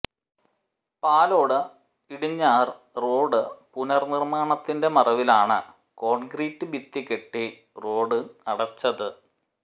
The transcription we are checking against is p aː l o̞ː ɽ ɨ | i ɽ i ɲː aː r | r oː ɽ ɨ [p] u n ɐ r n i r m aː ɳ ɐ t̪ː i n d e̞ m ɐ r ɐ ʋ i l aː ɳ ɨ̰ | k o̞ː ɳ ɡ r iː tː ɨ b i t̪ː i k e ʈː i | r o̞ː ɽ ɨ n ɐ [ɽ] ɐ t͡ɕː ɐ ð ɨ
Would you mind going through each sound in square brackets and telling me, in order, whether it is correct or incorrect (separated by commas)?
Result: correct, correct